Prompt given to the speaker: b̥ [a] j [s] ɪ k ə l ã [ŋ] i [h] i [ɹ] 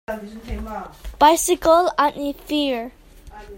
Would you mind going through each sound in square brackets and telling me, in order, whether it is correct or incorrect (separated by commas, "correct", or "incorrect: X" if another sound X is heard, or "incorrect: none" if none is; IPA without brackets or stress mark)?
correct, correct, incorrect: n, incorrect: f, correct